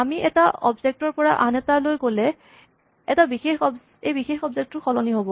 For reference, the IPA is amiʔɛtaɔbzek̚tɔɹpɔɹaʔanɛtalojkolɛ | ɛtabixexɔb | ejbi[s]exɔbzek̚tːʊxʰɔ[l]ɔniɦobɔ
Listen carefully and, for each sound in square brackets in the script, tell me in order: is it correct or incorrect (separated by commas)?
incorrect, correct